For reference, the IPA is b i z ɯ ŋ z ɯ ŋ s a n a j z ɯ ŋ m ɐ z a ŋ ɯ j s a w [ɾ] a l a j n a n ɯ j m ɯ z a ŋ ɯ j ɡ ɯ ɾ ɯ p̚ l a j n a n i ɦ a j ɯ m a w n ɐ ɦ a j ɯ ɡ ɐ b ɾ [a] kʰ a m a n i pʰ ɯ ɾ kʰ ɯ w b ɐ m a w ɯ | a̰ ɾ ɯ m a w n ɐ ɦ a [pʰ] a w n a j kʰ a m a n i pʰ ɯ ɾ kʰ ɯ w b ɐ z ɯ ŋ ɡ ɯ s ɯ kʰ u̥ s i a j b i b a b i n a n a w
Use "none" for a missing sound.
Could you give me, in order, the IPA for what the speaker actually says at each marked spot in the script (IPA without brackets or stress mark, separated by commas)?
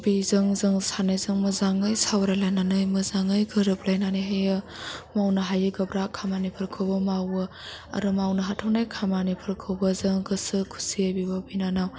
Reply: ɾ, a, tʰ